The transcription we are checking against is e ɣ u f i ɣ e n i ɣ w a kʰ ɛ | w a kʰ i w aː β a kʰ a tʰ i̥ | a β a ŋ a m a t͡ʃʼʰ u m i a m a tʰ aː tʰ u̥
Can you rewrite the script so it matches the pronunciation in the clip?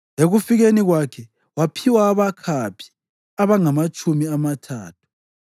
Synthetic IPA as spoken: e ɣ u f i ɣ e n i ɣ w a kʰ ɛ | w a pʰ i w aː β a kʰ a pʰ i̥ | a β a ŋ a m a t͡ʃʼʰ u m i a m a tʰ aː tʰ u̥